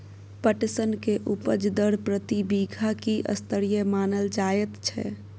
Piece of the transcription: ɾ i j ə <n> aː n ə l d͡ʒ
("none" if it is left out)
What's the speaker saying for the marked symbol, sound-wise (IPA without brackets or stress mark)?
m